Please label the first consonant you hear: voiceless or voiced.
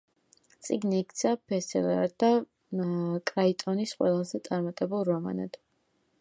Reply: voiceless